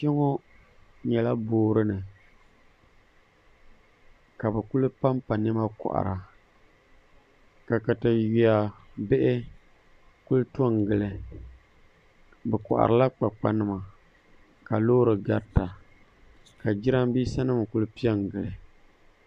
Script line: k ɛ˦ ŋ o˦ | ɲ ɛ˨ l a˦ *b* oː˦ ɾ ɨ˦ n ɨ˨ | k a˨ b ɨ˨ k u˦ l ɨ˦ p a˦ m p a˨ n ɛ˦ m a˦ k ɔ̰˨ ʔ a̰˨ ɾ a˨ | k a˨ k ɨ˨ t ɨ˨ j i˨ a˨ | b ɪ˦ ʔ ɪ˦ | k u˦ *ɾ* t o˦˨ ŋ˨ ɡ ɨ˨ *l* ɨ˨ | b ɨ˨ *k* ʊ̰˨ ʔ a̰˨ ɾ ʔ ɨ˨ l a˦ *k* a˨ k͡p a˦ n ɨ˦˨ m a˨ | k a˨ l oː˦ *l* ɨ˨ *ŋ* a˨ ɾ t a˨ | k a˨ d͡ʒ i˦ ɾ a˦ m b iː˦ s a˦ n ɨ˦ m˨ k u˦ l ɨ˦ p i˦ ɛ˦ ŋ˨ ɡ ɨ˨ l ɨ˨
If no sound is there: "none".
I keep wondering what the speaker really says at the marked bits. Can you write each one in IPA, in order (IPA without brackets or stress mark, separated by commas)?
b, l, l, k, k͡p, ɾ, ɡ